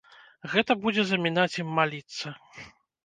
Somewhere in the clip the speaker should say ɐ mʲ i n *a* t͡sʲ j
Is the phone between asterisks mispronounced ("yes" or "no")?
no